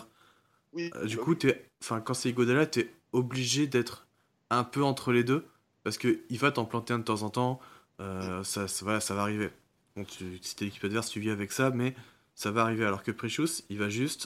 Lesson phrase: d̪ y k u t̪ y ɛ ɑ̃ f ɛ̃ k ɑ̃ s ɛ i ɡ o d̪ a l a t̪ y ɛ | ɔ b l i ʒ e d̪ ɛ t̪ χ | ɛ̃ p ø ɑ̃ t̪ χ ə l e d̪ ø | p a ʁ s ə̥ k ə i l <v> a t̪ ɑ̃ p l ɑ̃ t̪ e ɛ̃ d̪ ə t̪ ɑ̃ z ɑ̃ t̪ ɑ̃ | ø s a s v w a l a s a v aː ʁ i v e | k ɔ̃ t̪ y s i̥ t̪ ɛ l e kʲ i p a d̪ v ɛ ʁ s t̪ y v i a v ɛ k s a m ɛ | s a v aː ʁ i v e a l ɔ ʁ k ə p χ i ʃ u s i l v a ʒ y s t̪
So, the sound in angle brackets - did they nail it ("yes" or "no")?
yes